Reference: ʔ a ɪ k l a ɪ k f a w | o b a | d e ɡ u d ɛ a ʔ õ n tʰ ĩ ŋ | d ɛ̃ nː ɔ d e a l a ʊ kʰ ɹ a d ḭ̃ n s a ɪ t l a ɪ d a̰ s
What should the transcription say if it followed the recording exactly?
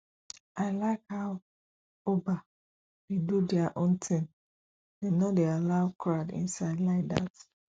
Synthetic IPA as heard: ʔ a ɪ l a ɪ k h a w | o b a | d e d u d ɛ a ʔ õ n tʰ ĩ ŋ | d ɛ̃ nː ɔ d e a l a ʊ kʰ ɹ a d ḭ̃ n s a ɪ d l a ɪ d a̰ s